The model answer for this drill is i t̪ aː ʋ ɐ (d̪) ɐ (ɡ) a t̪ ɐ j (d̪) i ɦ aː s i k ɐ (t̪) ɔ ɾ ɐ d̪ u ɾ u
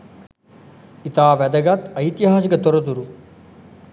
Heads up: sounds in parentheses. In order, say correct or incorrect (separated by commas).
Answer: correct, correct, incorrect, correct